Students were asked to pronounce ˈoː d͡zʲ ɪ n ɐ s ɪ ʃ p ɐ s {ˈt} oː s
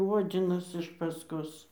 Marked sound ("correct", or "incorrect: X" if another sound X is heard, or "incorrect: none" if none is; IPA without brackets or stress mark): incorrect: k